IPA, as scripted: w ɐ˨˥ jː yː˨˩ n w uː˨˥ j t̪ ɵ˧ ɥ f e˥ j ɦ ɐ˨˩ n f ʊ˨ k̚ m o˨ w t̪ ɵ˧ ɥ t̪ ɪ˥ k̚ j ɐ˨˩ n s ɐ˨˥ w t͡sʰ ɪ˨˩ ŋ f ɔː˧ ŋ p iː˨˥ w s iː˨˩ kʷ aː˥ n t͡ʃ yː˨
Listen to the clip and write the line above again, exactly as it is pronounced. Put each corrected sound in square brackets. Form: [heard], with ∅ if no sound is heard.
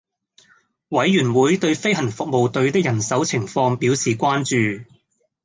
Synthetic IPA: w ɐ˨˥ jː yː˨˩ n w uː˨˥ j t̪ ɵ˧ ɥ f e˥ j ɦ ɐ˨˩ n f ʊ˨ k̚ m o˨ w t̪ ɵ˧ ɥ t̪ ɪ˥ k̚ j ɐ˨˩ n s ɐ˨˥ w t͡sʰ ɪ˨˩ ŋ f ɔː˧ ŋ p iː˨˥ w s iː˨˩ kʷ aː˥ n t͡ʃ yː˨